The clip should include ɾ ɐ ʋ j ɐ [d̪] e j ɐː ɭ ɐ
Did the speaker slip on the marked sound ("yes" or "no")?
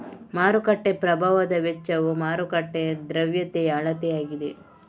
yes